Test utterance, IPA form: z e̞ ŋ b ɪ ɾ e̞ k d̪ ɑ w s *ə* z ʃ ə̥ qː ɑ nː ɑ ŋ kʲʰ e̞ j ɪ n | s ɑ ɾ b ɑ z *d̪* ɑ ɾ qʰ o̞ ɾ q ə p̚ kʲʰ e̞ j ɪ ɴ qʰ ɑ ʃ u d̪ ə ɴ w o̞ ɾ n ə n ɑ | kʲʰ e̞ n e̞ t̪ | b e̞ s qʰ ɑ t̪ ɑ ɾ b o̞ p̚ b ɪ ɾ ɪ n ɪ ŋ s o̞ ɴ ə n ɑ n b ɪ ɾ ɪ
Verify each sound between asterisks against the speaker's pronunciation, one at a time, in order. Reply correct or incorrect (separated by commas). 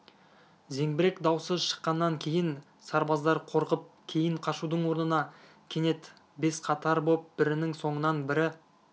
correct, correct